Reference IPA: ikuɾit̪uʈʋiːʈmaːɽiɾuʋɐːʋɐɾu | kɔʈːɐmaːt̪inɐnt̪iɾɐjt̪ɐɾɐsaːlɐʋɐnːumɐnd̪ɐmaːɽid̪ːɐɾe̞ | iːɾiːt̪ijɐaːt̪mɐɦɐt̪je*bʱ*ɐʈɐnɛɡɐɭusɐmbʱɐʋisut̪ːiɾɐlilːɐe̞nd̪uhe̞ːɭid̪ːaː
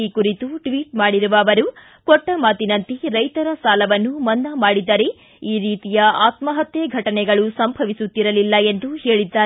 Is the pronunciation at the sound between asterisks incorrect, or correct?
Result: incorrect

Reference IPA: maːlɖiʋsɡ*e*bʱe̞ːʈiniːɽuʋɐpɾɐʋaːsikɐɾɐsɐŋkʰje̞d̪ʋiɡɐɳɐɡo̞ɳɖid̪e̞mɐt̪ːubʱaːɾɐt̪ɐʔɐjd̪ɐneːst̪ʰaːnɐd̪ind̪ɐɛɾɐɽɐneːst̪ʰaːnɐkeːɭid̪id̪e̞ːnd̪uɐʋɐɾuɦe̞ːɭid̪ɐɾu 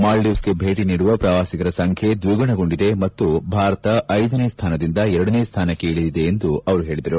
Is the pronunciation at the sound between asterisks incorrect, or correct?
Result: correct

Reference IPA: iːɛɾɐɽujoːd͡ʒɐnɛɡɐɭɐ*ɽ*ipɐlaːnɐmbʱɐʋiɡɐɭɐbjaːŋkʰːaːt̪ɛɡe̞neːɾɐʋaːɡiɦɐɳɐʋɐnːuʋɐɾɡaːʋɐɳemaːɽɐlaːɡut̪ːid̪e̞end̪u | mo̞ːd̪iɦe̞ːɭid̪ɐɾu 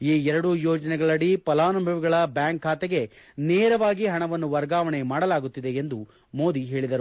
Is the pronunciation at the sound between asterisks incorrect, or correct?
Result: correct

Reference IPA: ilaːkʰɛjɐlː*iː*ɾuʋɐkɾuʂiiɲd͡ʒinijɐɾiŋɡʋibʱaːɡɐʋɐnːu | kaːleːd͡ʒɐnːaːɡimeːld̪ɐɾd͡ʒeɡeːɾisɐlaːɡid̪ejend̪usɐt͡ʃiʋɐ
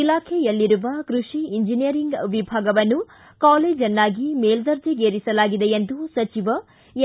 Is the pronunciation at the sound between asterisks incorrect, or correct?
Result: incorrect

